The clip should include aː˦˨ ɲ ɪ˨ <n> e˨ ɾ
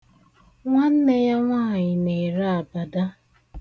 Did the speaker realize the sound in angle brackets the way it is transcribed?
yes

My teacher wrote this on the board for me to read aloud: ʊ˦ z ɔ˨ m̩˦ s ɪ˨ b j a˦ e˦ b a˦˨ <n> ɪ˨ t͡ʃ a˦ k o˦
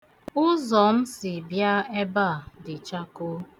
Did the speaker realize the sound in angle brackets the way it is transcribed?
no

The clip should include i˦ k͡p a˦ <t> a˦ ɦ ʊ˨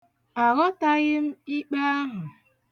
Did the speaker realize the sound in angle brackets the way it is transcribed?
no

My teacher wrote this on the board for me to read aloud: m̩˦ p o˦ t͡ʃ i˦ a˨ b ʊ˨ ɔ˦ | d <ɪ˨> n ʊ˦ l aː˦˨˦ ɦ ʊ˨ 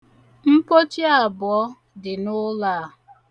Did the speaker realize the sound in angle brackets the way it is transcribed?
yes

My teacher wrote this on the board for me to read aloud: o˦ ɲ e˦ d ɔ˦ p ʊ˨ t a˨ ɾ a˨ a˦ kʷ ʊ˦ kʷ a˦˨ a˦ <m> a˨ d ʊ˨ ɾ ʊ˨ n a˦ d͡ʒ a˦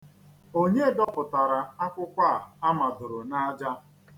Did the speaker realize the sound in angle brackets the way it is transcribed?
yes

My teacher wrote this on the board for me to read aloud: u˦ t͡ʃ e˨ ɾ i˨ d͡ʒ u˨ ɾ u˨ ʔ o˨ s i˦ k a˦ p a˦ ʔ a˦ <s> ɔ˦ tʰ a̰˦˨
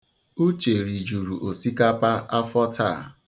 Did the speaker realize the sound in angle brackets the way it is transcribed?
no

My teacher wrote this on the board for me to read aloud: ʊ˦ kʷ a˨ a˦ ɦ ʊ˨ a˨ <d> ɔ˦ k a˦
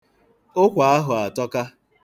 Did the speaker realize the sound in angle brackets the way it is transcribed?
no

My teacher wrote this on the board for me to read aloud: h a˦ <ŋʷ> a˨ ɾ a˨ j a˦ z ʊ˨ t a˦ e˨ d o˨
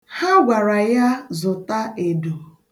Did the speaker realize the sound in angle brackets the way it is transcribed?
no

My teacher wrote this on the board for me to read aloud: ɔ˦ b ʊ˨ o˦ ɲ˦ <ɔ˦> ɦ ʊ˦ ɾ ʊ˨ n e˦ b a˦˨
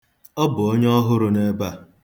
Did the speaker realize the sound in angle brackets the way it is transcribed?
yes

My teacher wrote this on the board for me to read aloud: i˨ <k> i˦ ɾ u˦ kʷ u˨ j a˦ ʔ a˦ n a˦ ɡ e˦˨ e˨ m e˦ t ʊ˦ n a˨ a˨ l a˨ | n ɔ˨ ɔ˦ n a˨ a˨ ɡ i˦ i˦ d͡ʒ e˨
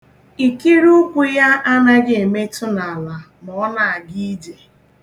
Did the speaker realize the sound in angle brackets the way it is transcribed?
yes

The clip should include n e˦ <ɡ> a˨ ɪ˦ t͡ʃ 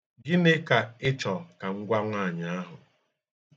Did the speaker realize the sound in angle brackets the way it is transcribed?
no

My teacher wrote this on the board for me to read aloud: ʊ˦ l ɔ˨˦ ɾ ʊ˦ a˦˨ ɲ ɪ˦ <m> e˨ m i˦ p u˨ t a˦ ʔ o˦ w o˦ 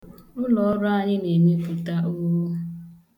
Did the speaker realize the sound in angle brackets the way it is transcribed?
no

